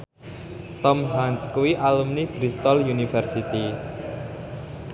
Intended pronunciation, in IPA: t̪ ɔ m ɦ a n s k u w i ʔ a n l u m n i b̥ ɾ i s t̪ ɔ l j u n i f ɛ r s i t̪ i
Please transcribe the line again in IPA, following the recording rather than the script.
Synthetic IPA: t̪ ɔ m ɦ a n s k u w i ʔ a l u m n i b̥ ɾ i s t̪ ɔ l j u n i f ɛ r s i t̪ i